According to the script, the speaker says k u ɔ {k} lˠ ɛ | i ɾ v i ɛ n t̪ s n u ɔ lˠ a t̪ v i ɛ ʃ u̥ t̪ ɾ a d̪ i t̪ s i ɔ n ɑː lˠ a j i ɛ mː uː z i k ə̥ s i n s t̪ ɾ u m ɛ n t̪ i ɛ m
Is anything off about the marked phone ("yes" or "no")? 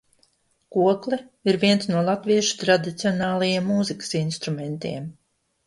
no